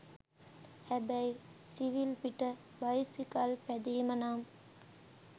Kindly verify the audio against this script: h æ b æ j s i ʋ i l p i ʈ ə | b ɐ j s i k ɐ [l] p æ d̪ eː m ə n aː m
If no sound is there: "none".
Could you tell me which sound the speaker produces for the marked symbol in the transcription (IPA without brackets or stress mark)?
l